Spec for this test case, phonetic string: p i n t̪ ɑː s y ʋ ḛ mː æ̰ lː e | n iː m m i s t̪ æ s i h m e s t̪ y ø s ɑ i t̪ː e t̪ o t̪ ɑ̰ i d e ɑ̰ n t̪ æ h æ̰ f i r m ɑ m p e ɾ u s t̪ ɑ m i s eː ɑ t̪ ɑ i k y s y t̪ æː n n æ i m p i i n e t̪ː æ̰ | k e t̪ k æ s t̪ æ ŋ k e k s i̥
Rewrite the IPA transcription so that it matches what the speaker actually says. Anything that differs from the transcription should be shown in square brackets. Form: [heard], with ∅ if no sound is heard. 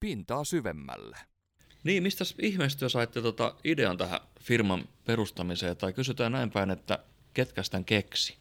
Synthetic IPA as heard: p i n t̪ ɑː s y ʋ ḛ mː æ̰ lː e | n iː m m i s t̪ æ s i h m e s t̪ y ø s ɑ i t̪ː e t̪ o t̪ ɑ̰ i d e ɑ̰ n t̪ æ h æ̰ f i r m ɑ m p e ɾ u s t̪ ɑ m i s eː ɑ t̪ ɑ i k y s y t̪ æː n n æ i m p [æ] i n e t̪ː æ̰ | k e t̪ k æ s t̪ æ ŋ k e k s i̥